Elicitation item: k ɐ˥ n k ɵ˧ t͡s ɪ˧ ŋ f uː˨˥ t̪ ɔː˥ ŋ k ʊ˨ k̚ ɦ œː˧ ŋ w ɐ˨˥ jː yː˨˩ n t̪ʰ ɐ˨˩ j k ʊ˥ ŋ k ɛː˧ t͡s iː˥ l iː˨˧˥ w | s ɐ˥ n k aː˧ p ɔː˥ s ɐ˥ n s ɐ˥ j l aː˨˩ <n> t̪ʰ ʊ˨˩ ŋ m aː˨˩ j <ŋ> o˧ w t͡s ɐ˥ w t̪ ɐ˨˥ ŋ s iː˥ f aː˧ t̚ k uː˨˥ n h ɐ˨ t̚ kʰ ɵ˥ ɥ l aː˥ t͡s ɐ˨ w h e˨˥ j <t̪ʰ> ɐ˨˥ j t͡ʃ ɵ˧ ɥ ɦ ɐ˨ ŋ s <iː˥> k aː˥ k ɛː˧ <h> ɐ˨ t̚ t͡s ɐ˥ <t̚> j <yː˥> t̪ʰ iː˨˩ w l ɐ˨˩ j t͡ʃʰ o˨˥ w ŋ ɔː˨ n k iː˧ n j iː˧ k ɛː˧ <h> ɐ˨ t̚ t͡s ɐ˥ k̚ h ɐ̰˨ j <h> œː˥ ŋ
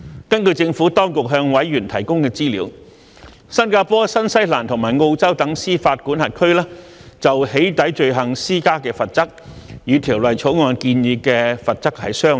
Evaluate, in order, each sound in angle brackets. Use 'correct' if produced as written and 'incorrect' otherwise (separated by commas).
correct, correct, incorrect, correct, incorrect, incorrect, incorrect, incorrect, incorrect